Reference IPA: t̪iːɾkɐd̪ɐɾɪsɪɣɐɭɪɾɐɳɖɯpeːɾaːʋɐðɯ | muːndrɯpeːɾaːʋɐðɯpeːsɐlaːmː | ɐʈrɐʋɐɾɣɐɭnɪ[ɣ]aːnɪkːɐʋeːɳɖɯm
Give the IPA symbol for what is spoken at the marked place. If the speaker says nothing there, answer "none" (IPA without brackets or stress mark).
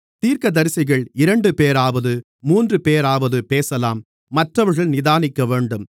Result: ð